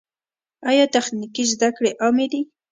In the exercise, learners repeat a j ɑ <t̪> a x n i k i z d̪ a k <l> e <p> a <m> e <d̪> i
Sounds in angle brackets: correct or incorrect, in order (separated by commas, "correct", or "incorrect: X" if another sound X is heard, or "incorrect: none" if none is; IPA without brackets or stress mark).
correct, incorrect: ɽ, incorrect: ʔ, correct, correct